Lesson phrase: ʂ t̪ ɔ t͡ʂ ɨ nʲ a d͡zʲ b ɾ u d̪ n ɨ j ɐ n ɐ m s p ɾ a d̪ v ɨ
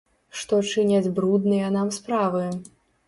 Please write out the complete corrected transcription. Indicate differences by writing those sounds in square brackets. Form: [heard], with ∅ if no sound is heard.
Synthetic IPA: ʂ t̪ ɔ t͡ʂ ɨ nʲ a d͡zʲ b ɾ u d̪ n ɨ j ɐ n [a] m s p ɾ a [∅] v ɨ